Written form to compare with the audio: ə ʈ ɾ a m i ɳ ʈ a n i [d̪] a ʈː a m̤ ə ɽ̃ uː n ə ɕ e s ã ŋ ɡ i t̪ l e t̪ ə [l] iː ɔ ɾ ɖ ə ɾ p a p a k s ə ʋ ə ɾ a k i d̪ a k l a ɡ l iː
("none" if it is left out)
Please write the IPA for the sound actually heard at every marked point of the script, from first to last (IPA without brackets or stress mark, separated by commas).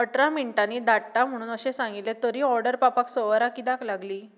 d̪, ɾ